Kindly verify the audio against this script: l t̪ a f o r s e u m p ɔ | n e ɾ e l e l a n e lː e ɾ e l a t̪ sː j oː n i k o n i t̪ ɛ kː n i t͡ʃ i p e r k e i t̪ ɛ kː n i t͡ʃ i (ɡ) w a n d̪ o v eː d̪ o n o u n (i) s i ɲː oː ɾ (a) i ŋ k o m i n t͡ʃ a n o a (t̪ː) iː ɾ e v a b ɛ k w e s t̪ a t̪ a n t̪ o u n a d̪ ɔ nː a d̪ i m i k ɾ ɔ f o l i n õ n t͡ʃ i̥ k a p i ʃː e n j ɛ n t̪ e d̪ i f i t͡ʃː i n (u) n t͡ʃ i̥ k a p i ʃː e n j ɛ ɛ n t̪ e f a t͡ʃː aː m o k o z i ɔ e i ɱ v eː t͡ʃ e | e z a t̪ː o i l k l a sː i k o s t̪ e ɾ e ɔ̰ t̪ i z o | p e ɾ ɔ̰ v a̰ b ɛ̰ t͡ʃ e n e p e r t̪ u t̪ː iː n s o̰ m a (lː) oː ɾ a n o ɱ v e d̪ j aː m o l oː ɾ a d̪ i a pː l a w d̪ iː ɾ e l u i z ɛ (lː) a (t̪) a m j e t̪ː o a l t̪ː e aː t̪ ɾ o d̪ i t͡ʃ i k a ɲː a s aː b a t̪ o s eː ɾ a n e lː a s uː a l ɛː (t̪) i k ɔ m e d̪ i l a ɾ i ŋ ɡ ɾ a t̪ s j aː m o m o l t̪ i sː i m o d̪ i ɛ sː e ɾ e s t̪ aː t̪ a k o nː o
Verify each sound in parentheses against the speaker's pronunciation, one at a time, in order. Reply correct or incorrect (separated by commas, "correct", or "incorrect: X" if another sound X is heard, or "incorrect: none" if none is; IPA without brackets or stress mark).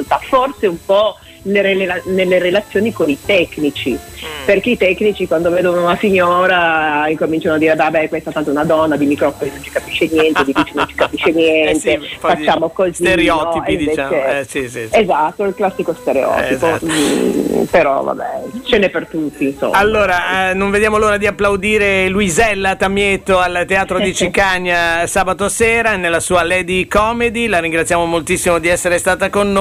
incorrect: k, incorrect: a, correct, incorrect: d̪ː, incorrect: o, correct, correct, correct, incorrect: d̪